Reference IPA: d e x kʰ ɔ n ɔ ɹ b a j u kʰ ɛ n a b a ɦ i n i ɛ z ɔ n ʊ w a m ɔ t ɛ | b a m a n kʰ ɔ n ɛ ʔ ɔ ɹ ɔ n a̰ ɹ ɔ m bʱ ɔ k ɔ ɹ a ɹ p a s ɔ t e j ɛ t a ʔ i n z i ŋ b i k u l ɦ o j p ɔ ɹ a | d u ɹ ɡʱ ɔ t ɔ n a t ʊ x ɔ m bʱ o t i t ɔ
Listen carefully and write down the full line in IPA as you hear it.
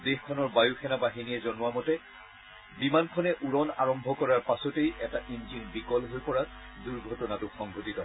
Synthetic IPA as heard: d e x kʰ ɔ n ɔ ɹ b a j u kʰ ɛ n a b a ɦ i n i ɛ z ɔ n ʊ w a m ɔ t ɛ | b i m a n kʰ ɔ n ɛ ʔ u ɹ ɔ n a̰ ɹ ɔ m bʱ ɔ k ɔ ɹ a ɹ p a s ɔ t e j ɛ t a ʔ i n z i n b i k ɔ l ɦ o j p ɔ ɹ a | d u ɹ ɡʱ ɔ t ɔ n a t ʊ x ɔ ŋ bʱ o t i t ɔ